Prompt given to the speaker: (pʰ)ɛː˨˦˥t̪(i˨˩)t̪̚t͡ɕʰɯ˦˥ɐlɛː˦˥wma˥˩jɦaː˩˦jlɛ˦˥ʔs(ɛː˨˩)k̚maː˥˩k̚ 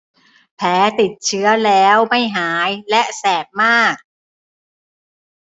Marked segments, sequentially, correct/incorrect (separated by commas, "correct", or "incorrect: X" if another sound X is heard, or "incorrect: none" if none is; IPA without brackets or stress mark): correct, correct, correct